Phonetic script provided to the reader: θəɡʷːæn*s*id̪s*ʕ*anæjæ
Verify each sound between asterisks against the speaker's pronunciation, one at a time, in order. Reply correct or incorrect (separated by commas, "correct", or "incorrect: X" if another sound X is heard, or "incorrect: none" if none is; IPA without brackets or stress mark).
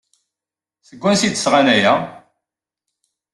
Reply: correct, incorrect: ʁ